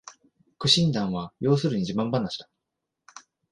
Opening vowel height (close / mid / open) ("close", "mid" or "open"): close